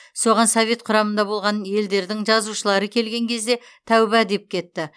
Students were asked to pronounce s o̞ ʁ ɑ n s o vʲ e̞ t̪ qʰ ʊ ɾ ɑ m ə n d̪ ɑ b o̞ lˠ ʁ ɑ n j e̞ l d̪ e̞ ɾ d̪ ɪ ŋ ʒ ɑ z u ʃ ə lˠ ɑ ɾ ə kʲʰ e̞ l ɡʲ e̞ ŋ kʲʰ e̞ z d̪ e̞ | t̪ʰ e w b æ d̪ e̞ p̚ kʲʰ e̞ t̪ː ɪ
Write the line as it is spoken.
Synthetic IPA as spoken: s o̞ ʁ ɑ n s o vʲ e̞ t̪ qʰ ʊ ɾ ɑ m ə n d̪ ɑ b o̞ lˠ ʁ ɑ n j e̞ l d̪ e̞ ɾ d̪ ɪ ŋ ʒ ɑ z u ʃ ə lˠ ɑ ɾ ə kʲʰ e̞ l ɡʲ e̞ ŋ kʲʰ e̞ z d̪ e̞ | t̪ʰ æ w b æ d̪ e̞ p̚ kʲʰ e̞ t̪ː ɪ